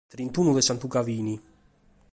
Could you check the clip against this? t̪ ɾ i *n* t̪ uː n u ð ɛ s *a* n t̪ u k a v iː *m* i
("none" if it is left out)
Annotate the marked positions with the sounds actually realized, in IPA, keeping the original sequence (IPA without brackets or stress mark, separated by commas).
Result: n, a, n